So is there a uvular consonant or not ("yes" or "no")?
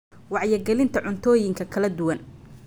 no